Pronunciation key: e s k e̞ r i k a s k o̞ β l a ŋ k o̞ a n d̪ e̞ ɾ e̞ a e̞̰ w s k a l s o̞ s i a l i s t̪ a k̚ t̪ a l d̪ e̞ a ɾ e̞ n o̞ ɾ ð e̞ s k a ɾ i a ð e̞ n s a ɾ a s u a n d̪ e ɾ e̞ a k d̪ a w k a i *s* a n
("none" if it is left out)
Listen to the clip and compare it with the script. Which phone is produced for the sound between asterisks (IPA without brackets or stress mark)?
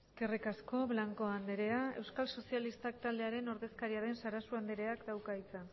t͡s